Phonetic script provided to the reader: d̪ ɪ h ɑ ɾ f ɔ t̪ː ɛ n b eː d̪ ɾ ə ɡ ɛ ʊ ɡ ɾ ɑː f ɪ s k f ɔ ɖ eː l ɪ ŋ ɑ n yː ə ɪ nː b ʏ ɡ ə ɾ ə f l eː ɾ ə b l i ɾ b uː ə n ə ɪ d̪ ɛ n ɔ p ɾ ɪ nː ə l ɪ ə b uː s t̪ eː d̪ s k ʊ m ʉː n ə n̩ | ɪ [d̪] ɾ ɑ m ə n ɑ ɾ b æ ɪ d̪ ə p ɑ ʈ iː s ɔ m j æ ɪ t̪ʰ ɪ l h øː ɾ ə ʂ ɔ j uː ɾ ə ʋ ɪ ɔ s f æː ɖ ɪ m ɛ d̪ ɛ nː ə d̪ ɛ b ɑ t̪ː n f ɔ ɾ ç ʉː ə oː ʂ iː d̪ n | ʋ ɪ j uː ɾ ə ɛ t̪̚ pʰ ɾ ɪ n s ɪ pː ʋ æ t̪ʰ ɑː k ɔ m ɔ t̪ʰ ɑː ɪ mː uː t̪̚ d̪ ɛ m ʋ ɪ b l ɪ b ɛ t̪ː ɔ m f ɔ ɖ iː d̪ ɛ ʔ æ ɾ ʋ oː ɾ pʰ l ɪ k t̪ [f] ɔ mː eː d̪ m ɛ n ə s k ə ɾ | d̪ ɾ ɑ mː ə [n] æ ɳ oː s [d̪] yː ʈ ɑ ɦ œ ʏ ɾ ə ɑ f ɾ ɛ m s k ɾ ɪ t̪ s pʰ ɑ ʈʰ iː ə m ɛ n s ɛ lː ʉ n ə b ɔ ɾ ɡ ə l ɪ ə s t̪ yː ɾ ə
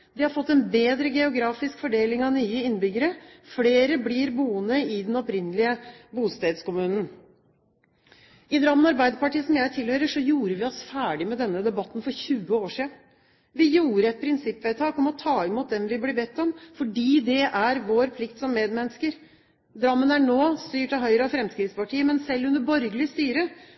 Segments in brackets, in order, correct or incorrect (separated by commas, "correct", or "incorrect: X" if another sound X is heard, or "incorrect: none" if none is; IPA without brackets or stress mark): correct, incorrect: s, correct, incorrect: t̪